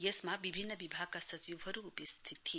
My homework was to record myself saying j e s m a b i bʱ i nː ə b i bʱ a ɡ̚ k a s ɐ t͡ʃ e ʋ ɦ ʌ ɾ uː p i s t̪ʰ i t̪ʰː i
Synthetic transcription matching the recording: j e s m a b i bʱ i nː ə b i bʱ a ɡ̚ k a s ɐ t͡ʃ i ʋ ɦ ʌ ɾ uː p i s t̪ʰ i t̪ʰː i